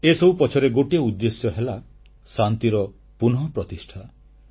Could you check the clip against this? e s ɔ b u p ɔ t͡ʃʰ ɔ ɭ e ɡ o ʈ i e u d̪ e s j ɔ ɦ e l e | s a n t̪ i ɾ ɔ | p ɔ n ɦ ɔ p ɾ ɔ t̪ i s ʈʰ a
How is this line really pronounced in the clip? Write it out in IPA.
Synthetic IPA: e s ɔ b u p ɔ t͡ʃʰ ɔ ɾ e ɡ o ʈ i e u d̪ː e s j ɔ ɦ e l a | s a n t̪ i ɾ ɔ | p u n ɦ ɔ p ɾ ɔ t̪ i s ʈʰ a